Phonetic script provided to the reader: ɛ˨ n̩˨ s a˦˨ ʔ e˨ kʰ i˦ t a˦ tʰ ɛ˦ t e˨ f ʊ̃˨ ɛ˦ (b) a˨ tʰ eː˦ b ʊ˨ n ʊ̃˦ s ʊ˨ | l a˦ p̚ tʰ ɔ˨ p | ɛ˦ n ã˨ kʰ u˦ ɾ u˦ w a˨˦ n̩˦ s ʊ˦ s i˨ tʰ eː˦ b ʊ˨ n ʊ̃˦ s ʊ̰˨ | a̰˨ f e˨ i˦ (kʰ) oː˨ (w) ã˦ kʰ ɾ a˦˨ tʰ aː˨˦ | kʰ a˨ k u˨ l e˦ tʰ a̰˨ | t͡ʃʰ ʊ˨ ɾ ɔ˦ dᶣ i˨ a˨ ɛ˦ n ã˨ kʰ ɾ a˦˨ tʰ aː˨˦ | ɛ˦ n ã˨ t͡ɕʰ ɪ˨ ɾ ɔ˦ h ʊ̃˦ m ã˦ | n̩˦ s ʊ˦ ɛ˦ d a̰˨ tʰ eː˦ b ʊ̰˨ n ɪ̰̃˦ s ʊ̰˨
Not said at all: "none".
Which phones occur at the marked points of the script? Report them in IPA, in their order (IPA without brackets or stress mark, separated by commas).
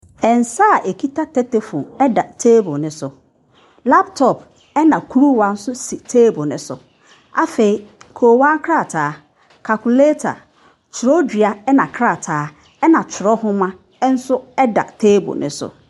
d, kʰ, w